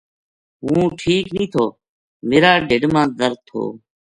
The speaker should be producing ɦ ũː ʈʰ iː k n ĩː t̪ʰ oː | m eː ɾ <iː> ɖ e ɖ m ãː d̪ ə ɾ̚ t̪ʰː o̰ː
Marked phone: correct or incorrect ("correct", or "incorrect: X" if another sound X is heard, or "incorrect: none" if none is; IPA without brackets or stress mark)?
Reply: incorrect: aː